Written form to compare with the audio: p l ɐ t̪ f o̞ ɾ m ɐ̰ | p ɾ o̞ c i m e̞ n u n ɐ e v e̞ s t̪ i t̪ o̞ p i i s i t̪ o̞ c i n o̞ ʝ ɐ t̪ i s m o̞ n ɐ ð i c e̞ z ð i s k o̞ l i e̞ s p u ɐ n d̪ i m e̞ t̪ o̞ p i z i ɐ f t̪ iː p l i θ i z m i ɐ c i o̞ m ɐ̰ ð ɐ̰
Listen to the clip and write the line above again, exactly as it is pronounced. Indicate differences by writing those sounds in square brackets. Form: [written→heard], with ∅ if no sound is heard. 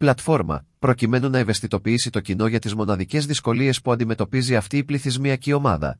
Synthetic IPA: p l ɐ t̪ f o̞ ɾ m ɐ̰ | p ɾ o̞ c i m e̞ n u n ɐ e v e̞ s t̪ i t̪ o̞ p i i s i t̪ o̞ c i n o̞ ʝ ɐ t̪ i [s→z] m o̞ n ɐ ð i c e̞ z ð i s k o̞ l i e̞ s p u ɐ n d̪ i m e̞ t̪ o̞ p i z i ɐ f t̪ iː p l i θ i z m i ɐ c i o̞ m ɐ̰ ð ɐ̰